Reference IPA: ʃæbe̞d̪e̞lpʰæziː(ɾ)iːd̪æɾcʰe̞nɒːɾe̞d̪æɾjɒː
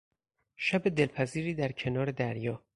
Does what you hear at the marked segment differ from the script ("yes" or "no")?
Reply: no